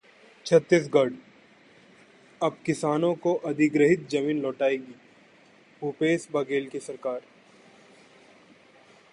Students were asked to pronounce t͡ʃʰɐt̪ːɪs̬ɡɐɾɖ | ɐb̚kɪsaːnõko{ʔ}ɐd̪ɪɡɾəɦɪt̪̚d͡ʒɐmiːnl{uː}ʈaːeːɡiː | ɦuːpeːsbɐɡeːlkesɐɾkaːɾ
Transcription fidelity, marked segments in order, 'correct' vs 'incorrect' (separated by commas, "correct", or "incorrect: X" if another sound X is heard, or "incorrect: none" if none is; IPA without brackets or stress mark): correct, incorrect: ɔː